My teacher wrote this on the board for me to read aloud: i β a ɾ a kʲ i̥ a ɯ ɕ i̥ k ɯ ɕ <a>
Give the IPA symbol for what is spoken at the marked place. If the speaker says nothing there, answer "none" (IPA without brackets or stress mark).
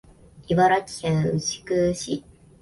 i